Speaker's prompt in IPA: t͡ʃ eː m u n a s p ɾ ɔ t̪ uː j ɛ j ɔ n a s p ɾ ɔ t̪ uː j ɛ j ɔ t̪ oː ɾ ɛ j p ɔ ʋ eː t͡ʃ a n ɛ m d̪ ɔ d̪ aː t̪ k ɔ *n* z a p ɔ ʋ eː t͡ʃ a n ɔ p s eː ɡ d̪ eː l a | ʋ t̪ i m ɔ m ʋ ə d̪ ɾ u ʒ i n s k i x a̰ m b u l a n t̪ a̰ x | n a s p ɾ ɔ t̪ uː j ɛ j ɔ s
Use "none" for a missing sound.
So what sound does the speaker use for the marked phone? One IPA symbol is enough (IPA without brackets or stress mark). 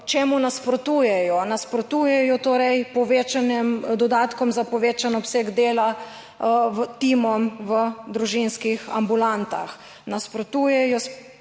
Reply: m